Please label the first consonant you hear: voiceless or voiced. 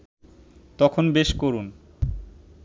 voiceless